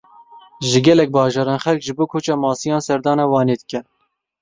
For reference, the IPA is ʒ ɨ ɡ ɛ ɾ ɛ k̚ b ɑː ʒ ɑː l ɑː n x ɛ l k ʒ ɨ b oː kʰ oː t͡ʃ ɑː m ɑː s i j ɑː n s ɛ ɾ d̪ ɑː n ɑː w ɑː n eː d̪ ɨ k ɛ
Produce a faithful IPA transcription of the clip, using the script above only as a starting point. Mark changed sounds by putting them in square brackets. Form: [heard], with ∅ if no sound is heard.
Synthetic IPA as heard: ʒ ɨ ɡ ɛ [l] ɛ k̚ b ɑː ʒ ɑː [ɾ] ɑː n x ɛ l k ʒ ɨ b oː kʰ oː t͡ʃ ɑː m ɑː s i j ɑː n s ɛ ɾ d̪ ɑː n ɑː w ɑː n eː d̪ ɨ k ɛ